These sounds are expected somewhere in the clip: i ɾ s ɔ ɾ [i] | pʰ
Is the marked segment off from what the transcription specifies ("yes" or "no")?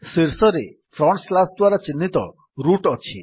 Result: yes